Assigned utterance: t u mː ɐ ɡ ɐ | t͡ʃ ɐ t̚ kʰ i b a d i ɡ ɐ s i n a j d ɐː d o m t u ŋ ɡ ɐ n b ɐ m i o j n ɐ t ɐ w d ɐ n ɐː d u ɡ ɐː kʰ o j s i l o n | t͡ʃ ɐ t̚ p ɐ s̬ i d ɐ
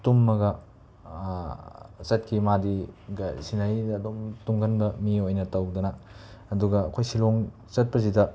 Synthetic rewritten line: t u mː ɐ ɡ ɐ | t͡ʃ ɐ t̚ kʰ i m a d i ɡ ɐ s i n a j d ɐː d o m t u ŋ ɡ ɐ n b ɐ m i o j n ɐ t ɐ w d ɐ n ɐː d u ɡ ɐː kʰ o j s i l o ŋ | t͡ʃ ɐ t̚ p ɐ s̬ i d ɐ